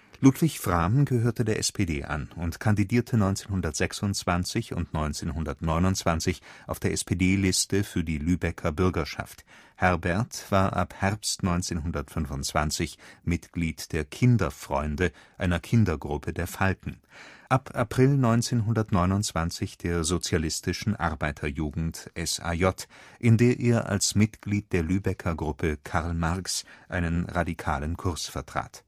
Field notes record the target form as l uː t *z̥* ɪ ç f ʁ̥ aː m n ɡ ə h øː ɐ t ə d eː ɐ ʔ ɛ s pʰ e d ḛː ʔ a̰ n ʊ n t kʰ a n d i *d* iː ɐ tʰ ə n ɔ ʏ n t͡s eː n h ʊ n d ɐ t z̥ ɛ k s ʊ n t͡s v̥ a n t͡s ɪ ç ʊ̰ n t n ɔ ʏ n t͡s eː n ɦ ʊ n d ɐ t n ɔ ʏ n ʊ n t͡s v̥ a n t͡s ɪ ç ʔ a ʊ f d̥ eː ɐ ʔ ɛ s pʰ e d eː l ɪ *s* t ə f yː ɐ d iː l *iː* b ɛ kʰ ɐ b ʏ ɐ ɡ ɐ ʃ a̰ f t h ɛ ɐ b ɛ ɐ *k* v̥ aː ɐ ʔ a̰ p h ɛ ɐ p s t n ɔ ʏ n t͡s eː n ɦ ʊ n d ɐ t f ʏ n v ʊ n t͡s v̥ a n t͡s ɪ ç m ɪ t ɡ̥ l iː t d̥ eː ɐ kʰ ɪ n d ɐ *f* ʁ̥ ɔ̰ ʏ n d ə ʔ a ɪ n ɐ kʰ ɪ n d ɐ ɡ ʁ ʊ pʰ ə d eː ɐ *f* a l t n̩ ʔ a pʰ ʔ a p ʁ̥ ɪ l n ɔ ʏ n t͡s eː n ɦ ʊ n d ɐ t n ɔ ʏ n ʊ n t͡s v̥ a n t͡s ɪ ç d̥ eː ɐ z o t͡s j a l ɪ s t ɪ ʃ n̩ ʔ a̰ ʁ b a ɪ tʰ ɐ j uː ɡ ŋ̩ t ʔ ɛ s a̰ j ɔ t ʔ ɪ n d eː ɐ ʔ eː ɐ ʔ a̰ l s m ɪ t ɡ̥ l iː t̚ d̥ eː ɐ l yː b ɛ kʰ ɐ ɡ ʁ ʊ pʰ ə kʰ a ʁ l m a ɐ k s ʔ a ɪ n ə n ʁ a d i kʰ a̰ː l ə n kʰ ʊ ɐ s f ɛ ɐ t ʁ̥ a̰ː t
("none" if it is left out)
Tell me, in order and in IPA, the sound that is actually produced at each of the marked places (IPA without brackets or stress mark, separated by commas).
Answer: v̥, d, s, yː, t, f, f